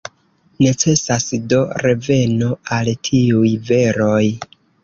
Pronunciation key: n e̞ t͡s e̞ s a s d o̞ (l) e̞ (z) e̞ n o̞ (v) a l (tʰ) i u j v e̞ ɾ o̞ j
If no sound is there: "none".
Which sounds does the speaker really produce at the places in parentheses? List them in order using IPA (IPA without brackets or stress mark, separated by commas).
ɾ, v, none, tʰ